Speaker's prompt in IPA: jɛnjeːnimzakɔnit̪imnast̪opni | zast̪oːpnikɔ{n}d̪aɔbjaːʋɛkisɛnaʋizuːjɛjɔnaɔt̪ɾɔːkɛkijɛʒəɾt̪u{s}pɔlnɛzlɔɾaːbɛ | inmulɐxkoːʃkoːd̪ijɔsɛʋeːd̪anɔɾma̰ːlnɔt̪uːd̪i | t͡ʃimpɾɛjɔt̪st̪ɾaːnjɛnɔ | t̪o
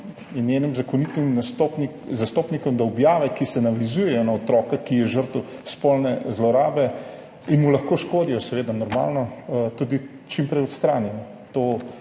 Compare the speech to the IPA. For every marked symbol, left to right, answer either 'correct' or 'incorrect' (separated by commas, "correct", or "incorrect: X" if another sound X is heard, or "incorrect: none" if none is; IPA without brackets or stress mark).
incorrect: m, correct